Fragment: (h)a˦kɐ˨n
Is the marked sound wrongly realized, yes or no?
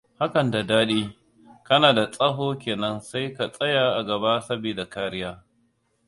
no